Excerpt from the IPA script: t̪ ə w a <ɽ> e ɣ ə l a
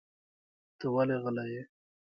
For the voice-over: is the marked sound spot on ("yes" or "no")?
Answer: no